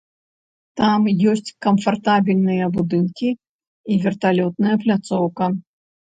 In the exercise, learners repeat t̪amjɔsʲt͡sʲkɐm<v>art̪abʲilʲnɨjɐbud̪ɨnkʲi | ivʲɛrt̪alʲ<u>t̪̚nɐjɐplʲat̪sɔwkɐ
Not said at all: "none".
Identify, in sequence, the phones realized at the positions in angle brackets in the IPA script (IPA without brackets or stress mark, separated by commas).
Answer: f, ɔ